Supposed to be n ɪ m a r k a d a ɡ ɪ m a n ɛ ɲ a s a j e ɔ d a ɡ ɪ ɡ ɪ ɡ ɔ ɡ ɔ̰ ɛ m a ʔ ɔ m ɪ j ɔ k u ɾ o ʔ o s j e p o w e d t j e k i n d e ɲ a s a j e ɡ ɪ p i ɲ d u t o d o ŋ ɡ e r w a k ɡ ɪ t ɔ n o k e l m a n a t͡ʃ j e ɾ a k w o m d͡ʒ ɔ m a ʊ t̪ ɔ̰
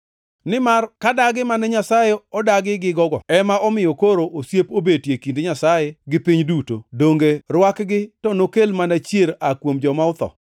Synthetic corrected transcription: n ɪ m a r k a d a ɡ ɪ m a n ɛ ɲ a s a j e ɔ d a ɡ ɪ ɡ ɪ ɡ ɔ ɡ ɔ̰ ɛ m a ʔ ɔ m ɪ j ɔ k o ɾ o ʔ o s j e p o b e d t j e k i n d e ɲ a s a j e ɡ ɪ p i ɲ d u t o d o ŋ ɡ e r w a k ɡ ɪ t ɔ n o k e l m a n a t͡ʃ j e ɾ a k w o m d͡ʒ ɔ m a ʊ t̪ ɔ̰

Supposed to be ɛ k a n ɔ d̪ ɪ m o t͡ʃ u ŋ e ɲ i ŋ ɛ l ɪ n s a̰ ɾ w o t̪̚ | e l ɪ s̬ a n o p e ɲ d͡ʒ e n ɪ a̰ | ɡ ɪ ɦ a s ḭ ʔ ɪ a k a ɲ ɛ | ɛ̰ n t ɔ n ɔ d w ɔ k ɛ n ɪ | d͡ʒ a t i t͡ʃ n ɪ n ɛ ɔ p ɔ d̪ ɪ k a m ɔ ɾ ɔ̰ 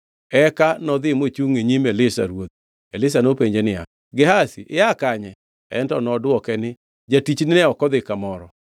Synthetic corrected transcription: ɛ k a n ɔ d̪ ɪ m o t͡ʃ u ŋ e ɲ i m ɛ l ɪ s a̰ ɾ w o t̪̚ | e l ɪ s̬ a n o p e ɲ d͡ʒ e n ɪ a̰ | ɡ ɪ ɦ a s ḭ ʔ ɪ a k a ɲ ɛ | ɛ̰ n t ɔ n ɔ d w ɔ k ɛ n ɪ | d͡ʒ a t i t͡ʃ n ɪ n ɛ ɔ k ɔ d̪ ɪ k a m ɔ ɾ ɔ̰

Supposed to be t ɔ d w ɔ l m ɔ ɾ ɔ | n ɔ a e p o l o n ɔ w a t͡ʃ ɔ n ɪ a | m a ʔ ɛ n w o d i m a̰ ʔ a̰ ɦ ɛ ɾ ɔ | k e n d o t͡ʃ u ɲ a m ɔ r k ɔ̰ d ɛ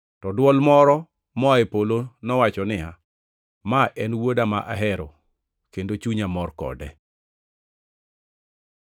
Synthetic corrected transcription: t ɔ d w ɔ l m ɔ ɾ ɔ | m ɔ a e p o l o n ɔ w a t͡ʃ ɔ n ɪ a | m a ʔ ɛ n w o d a m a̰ ʔ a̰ ɦ ɛ ɾ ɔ | k e n d o t͡ʃ u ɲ a m ɔ r k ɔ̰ d ɛ

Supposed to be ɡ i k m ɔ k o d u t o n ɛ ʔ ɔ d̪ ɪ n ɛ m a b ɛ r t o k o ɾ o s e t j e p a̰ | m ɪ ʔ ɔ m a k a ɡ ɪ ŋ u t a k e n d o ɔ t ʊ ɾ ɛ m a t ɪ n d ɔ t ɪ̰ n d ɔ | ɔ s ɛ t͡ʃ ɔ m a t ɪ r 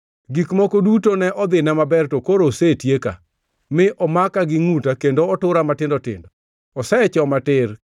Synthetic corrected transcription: ɡ i k m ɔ k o d u t o n ɛ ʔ ɔ d̪ ɪ n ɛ m a b ɛ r t o k o ɾ o s e t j e k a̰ | m ɪ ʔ ɔ m a k a ɡ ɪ ŋ u t a k e n d o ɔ t ʊ ɾ a m a t ɪ n d ɔ t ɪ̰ n d ɔ | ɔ s ɛ t͡ʃ ɔ m a t ɪ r

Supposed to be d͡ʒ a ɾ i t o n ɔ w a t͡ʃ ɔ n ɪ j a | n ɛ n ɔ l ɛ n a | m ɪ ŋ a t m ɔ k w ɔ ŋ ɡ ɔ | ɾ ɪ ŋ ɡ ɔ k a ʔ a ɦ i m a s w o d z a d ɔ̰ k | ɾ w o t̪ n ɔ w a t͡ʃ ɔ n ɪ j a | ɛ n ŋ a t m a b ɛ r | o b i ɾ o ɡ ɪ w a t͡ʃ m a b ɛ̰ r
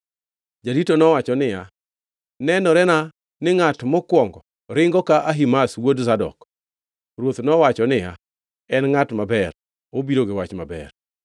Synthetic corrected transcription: d͡ʒ a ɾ i t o n ɔ w a t͡ʃ ɔ n ɪ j a | n ɛ n ɔ ɾ ɛ n a | n ɪ ŋ a t m ɔ k w ɔ ŋ ɡ ɔ | ɾ ɪ ŋ ɡ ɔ k a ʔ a ɦ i m a s w o d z a d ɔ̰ k | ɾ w o t̪ n ɔ w a t͡ʃ ɔ n ɪ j a | ɛ n ŋ a t m a b ɛ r | o b i ɾ o ɡ ɪ w a t͡ʃ m a b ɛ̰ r

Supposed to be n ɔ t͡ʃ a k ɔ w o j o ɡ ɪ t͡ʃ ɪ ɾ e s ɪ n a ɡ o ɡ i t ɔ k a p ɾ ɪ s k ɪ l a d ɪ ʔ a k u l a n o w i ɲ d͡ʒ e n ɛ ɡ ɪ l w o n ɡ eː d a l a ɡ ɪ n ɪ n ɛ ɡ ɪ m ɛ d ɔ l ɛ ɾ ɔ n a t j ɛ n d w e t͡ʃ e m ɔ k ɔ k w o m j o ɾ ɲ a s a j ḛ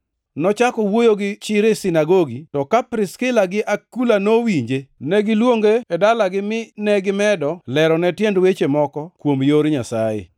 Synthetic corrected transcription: n ɔ t͡ʃ a k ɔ w o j o ɡ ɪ t͡ʃ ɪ ɾ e s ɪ n a ɡ o ɡ i t ɔ k a p ɾ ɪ s k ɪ l a ɡ ɪ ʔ a k u l a n o w i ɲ d͡ʒ e n ɛ ɡ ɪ l w o ŋ ɡ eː d a l a ɡ ɪ m ɪ n ɛ ɡ ɪ m ɛ d ɔ l ɛ ɾ ɔ n ɛ t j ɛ n d w e t͡ʃ e m ɔ k ɔ k w o m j o ɾ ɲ a s a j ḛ

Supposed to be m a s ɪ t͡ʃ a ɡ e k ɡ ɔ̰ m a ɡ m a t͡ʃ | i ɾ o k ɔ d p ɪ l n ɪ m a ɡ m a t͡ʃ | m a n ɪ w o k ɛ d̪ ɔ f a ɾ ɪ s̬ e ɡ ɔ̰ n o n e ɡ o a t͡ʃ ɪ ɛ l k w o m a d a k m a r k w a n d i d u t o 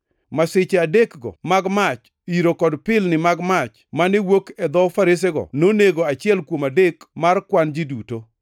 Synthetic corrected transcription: m a s ɪ t͡ʃ a d e k ɡ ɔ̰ m a ɡ m a t͡ʃ | i ɾ o k ɔ d p ɪ l n ɪ m a ɡ m a t͡ʃ | m a n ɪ w o k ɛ d̪ ɔ f a ɾ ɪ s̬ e ɡ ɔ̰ n o n e ɡ o a t͡ʃ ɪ ɛ l k w o m a d e k m a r k w a n d͡ʒ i d u t o

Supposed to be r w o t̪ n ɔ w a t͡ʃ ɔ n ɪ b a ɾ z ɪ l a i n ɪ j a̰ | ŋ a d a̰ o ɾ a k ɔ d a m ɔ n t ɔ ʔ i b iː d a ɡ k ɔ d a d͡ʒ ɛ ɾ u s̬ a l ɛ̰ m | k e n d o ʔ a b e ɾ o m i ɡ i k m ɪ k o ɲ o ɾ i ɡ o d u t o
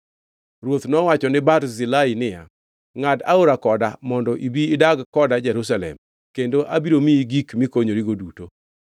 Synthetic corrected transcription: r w o t̪ n ɔ w a t͡ʃ ɔ n ɪ b a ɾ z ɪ l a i n ɪ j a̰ | ŋ a d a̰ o ɾ a k ɔ d a m ɔ n d ɔ ʔ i b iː d a ɡ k ɔ d a d͡ʒ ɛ ɾ u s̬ a l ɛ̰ m | k e n d o ʔ a b i ɾ o m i ɡ i k m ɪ k o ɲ o ɾ i ɡ o d u t o

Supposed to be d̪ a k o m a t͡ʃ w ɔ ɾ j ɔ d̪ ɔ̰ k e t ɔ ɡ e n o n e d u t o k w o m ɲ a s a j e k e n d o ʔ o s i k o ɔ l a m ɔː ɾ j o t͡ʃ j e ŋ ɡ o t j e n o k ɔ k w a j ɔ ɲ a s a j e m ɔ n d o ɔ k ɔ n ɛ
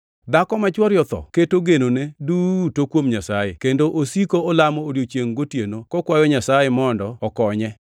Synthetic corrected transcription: d̪ a k ɔ m a t͡ʃ w ɔ ɾ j ɔ t̪ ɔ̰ k e t o ɡ e n o n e d u t o k w o m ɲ a s a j e k e n d o ʔ o s i k o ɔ l a m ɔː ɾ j o t͡ʃ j e ŋ ɡ o t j e n o k ɔ k w a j ɔ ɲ a s a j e m ɔ n d ɔ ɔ k ɔ ɲ ɛ

